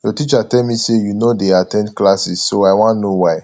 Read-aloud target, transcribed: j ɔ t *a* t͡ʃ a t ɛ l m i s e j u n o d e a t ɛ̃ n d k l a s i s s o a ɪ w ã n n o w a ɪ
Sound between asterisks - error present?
yes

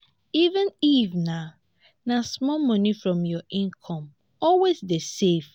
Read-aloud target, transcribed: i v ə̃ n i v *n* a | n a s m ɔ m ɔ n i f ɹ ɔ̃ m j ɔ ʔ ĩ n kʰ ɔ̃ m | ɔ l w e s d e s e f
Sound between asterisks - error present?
no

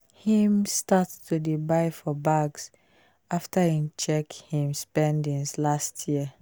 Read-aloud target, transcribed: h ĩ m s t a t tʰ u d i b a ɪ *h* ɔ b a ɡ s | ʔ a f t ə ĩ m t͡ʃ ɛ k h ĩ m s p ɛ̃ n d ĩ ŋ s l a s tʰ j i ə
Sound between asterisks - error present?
yes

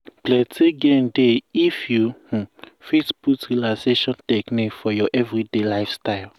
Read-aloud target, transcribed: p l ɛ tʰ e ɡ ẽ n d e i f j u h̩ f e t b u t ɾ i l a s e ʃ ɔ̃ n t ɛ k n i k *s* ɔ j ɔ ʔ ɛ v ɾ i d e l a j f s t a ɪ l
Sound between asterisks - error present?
yes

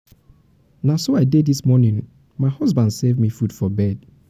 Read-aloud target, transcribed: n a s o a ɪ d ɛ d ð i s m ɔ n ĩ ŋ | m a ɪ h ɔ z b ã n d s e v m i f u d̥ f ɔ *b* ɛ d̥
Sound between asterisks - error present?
no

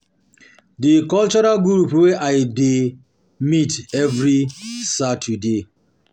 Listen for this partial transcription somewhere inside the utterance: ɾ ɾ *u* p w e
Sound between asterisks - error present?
no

